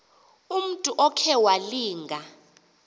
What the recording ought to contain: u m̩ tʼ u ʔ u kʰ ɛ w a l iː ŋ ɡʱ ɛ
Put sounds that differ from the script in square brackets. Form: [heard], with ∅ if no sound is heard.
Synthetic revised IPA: u m̩ tʼ u ʔ [ɔ] kʰ ɛ w a l iː ŋ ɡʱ [a]